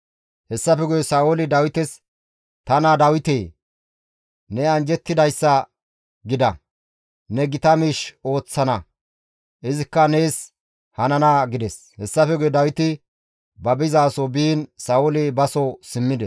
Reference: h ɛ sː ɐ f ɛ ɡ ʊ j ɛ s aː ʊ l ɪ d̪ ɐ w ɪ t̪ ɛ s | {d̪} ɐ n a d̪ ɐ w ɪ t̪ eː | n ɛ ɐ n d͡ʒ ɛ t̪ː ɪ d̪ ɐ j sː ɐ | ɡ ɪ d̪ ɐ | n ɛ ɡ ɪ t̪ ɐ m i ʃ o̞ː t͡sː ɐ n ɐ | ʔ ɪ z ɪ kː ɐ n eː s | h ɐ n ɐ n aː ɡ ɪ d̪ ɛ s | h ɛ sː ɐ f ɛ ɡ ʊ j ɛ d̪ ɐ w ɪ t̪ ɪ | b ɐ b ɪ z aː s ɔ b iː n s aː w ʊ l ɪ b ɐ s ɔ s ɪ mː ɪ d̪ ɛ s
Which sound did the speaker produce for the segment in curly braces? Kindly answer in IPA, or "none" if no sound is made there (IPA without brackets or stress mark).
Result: t̪